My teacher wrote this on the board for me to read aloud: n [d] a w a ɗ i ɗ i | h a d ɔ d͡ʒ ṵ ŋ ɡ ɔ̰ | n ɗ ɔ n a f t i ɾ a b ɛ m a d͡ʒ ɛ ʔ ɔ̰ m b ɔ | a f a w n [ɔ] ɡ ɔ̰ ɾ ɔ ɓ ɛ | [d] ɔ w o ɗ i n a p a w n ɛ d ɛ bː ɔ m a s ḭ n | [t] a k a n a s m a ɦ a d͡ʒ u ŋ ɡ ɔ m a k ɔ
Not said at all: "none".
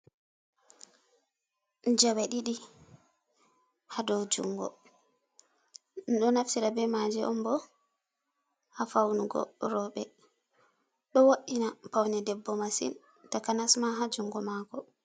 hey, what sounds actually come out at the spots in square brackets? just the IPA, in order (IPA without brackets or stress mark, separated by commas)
d͡ʒ, u, ɗ, t